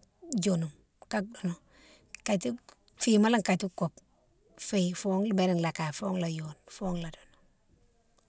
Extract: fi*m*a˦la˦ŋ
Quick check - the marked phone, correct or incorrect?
correct